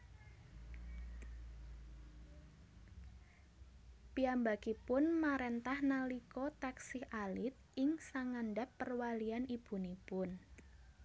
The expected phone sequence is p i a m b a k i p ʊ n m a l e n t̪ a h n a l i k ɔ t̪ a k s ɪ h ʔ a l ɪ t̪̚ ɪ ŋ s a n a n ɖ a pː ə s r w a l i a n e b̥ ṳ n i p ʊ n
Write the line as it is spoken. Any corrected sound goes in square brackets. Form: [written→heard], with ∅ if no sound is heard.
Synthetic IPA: p i a m b a k i p ʊ n m a [l→ɾ] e n t̪ a h n a l i k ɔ t̪ a k s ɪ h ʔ a l ɪ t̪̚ ɪ ŋ s a [n→ŋ] a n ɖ a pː ə [s→∅] r w a l i a n [e→i] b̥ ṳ n i p ʊ n